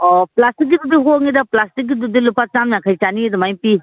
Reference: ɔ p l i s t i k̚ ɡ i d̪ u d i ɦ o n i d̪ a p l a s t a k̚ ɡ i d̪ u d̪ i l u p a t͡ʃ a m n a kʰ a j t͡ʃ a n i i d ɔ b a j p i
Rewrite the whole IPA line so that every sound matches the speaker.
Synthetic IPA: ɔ p l a s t i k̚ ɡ i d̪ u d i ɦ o ŋ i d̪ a p l a s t i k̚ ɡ i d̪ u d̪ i l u p a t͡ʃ a m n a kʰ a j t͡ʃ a n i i d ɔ m a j p i